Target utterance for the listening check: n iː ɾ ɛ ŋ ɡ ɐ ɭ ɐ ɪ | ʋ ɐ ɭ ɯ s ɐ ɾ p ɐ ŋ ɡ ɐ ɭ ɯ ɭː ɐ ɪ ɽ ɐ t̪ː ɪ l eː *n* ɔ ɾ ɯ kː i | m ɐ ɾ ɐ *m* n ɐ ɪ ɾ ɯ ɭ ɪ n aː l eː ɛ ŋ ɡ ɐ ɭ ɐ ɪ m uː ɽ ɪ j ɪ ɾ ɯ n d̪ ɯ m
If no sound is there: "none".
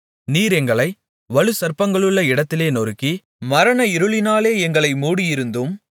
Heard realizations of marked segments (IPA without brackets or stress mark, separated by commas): n, none